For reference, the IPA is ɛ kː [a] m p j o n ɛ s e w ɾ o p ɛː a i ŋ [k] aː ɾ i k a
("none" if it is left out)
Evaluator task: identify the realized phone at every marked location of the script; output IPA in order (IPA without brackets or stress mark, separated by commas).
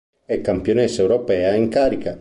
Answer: a, k